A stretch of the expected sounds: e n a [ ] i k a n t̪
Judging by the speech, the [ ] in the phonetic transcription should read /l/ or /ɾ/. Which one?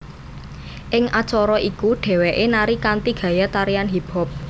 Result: ɾ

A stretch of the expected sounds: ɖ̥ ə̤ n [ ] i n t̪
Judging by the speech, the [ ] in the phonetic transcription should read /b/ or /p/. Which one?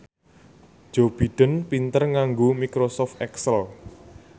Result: p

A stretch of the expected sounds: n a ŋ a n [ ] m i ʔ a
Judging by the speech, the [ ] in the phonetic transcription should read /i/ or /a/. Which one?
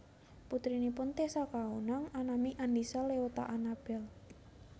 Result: a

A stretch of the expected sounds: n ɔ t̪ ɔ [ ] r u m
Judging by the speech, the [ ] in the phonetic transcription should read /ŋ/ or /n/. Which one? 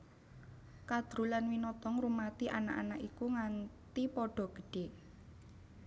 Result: ŋ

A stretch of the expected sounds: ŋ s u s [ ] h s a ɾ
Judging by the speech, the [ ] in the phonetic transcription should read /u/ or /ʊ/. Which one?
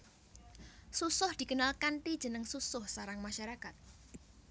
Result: ʊ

